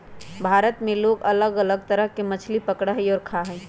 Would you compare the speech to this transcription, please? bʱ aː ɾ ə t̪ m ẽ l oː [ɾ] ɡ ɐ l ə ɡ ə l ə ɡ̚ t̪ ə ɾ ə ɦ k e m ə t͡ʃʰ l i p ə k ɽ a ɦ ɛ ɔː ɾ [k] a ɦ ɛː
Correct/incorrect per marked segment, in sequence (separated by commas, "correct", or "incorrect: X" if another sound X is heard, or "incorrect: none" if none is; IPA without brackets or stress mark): incorrect: none, incorrect: kʰ